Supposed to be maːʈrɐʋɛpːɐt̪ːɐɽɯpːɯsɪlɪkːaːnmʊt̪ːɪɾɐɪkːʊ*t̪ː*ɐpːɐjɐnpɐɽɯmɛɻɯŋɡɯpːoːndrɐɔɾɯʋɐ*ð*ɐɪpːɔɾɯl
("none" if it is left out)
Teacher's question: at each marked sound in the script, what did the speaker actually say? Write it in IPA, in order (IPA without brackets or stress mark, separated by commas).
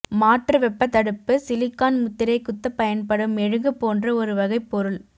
t̪ː, ɣ